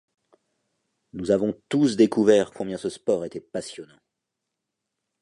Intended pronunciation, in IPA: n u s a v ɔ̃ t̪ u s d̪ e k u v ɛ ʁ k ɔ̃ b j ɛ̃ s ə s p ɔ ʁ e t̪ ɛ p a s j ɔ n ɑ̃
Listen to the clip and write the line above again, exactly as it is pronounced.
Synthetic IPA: n u z a v ɔ̃ t̪ u s d̪ e k u v ɛ ʁ k ɔ̃ b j ɛ̃ s ə s p ɔ ʁ e t̪ ɛ p a s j ɔ n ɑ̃